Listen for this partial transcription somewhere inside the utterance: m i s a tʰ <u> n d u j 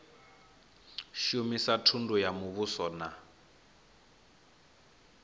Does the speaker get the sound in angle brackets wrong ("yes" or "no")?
no